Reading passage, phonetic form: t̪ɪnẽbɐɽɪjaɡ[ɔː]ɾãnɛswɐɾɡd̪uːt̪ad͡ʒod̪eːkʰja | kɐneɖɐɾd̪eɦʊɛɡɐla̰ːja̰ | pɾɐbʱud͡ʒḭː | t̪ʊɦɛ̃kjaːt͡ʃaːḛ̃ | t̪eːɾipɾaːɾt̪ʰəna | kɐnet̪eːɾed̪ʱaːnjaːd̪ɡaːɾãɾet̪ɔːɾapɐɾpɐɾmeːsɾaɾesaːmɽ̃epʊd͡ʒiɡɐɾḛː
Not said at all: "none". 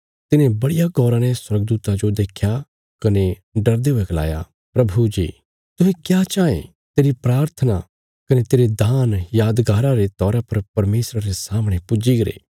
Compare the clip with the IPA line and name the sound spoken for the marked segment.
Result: ɔː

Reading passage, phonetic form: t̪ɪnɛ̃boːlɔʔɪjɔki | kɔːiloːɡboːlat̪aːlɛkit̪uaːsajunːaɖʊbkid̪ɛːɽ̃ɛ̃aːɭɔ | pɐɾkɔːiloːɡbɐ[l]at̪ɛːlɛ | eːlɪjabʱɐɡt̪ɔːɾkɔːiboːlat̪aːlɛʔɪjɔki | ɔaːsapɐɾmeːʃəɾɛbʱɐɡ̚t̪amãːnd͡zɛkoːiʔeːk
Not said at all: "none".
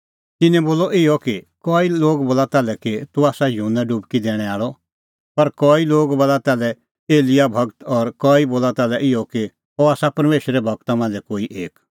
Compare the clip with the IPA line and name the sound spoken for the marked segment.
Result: l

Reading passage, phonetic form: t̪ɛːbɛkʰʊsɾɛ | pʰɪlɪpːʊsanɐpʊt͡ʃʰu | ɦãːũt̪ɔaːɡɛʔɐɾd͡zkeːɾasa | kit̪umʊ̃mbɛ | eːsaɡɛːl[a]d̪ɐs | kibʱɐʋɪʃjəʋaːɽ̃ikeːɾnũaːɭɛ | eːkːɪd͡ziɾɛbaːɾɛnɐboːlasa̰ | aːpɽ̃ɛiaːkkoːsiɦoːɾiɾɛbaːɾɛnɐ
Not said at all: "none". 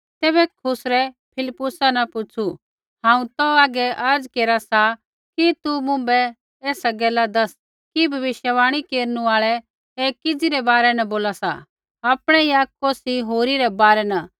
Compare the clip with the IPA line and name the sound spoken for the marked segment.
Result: a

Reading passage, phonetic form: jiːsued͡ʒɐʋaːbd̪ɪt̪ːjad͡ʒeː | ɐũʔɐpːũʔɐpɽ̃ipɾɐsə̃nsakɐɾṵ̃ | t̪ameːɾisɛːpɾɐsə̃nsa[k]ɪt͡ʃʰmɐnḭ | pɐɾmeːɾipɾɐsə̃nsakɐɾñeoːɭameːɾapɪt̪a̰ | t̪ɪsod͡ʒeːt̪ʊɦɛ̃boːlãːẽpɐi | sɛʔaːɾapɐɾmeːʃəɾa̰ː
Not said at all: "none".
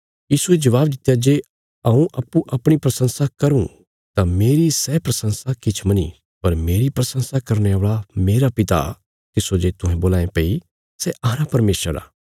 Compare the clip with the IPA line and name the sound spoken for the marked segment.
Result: k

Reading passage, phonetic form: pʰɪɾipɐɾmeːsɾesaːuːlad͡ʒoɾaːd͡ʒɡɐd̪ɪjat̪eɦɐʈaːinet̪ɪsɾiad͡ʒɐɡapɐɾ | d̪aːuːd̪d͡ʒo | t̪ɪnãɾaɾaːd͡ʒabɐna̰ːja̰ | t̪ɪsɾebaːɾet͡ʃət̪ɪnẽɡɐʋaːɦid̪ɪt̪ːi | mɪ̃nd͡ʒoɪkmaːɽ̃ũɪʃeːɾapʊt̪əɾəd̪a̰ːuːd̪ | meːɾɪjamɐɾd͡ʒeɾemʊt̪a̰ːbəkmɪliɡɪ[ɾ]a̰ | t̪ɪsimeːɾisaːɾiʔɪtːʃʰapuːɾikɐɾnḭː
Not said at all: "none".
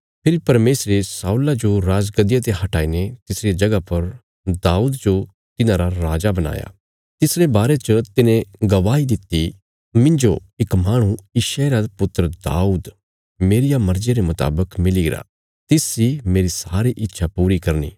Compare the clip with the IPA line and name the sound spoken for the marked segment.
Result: ɾ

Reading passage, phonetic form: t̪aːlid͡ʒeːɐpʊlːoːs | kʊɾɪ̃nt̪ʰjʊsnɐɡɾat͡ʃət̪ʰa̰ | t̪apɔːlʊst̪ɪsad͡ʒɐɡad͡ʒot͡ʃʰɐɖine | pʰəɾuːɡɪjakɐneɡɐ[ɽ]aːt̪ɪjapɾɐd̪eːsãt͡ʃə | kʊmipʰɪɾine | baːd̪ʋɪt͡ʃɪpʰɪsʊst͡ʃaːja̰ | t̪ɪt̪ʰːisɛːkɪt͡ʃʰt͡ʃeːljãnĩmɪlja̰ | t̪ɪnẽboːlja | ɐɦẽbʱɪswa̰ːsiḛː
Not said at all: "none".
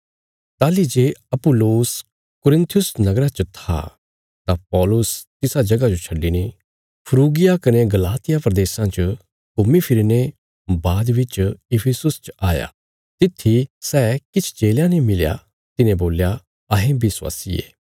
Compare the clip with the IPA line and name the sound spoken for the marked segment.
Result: l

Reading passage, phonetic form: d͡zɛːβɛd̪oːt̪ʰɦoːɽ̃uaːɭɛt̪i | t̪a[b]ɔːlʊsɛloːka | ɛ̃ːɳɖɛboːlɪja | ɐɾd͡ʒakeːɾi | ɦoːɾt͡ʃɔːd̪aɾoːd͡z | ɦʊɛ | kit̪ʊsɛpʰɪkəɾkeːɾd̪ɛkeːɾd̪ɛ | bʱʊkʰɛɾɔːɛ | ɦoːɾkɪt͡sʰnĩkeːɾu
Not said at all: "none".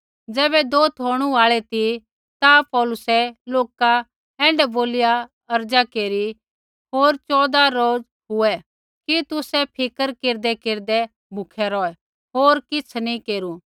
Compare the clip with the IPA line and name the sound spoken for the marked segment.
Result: p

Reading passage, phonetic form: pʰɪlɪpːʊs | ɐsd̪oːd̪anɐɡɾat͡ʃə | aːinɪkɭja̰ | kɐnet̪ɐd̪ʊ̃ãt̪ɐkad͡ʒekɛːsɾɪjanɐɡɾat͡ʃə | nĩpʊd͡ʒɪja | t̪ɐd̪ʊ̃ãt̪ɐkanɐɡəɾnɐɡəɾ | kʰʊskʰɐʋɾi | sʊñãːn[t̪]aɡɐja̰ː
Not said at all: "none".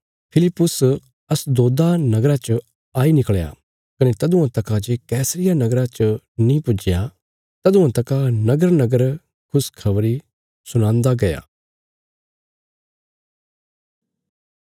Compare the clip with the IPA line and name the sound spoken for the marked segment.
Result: d̪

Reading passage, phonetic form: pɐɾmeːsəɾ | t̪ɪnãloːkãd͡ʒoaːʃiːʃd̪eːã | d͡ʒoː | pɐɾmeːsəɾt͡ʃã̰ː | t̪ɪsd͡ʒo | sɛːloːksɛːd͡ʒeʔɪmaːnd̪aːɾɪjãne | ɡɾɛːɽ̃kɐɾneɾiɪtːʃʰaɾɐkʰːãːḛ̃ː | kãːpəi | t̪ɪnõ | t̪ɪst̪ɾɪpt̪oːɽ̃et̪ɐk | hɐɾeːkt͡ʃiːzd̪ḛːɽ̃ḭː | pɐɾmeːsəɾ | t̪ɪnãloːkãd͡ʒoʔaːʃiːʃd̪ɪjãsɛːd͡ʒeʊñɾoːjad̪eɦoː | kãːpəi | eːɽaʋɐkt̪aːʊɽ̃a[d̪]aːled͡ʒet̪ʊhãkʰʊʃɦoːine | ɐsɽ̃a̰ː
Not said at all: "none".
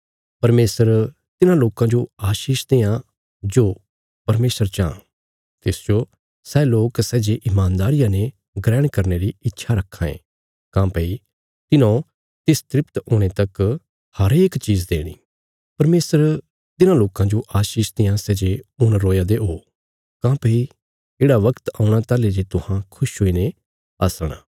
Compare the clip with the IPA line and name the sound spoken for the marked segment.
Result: t̪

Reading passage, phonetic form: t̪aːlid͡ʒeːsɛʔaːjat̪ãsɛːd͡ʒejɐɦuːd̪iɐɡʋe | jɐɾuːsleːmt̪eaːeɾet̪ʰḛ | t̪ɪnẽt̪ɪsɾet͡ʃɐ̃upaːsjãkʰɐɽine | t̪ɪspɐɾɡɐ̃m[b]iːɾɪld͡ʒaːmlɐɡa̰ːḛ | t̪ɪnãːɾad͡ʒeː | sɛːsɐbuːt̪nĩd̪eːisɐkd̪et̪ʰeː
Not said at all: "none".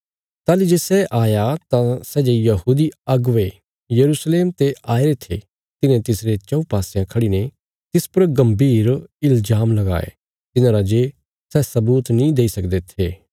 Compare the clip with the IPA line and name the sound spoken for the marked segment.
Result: b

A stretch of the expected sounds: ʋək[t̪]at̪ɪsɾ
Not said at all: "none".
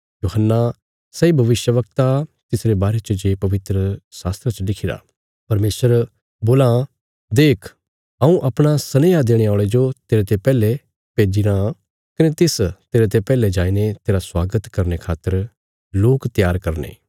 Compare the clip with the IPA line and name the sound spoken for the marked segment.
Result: t̪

